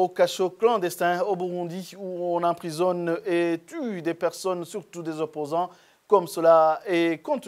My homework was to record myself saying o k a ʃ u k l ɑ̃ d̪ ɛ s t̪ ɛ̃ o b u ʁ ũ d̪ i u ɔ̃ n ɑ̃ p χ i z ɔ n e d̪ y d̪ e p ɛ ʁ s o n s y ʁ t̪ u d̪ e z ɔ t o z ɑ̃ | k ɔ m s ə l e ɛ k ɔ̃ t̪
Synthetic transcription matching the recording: o k a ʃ o k l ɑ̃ d̪ ɛ s t̪ ɛ̃ o b u ʁ ũ d̪ i u ɔ̃ n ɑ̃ p χ i z ɔ n e t̪ y d̪ e p ɛ ʁ s ɔ n s y ʁ t̪ u d̪ e z ɔ p o z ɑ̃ | k ɔ m s ə l a ɛ k ɔ̃ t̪